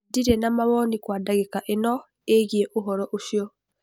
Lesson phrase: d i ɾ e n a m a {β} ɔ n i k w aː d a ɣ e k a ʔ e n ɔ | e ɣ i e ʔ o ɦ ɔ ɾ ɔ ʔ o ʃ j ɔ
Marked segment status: correct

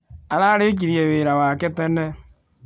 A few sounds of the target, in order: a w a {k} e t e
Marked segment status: correct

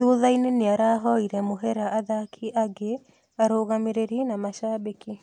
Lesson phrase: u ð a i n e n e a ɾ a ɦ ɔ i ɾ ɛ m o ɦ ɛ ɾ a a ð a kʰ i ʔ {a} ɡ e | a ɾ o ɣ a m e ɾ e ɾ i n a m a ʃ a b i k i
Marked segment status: correct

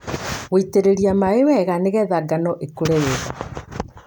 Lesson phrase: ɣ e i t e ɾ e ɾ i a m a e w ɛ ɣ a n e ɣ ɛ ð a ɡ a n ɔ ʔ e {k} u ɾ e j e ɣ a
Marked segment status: correct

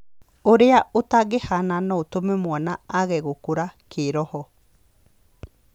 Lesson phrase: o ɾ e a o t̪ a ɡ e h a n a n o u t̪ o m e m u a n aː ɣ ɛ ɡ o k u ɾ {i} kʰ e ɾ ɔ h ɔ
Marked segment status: incorrect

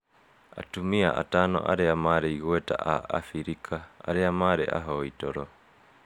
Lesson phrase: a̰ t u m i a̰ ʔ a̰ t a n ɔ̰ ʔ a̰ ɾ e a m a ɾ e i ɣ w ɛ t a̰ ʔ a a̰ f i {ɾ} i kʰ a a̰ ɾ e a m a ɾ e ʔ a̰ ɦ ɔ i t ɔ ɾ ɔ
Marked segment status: correct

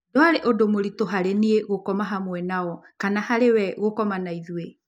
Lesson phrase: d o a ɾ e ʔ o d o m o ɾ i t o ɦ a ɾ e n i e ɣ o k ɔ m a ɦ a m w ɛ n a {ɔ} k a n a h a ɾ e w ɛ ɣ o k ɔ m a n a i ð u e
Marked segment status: correct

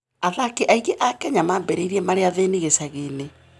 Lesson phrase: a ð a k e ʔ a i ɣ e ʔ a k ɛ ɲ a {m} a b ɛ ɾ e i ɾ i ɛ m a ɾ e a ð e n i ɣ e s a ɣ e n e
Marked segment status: correct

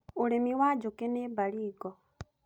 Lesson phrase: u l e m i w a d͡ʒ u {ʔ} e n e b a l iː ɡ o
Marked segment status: incorrect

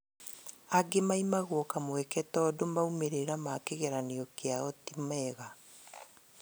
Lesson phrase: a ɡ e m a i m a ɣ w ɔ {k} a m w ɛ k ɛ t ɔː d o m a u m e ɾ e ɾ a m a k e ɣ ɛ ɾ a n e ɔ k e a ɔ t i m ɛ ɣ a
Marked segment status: correct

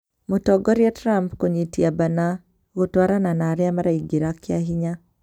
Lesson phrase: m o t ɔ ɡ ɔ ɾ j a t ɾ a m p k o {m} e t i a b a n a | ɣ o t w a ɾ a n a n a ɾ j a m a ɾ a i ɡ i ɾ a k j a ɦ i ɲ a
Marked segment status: incorrect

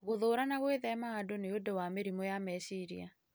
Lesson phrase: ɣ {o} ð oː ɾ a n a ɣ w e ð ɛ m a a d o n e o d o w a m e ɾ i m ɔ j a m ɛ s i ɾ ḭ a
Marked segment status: correct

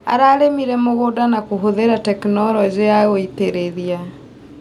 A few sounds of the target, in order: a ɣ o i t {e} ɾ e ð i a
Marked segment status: correct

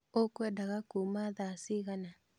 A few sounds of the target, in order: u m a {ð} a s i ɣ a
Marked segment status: correct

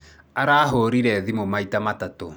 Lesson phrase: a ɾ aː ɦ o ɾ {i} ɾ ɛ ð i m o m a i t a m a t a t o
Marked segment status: correct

